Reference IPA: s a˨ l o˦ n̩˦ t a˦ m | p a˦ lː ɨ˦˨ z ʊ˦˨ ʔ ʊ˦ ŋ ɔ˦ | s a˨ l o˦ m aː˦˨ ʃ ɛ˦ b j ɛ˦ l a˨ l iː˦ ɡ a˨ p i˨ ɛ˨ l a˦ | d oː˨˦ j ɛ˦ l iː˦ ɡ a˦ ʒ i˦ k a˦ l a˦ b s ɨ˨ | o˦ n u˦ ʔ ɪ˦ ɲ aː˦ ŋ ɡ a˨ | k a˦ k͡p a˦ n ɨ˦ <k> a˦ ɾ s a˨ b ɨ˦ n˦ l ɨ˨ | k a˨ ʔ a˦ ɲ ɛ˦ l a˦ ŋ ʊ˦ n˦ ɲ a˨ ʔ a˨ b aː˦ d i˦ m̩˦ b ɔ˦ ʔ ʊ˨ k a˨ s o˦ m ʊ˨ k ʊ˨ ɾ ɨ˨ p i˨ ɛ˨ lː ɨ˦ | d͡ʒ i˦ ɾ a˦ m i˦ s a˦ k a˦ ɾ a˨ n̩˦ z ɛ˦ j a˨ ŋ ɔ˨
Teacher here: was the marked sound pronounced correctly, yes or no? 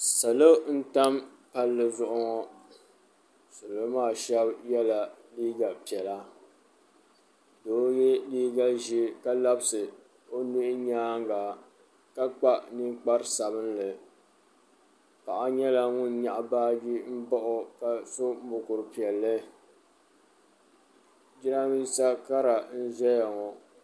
no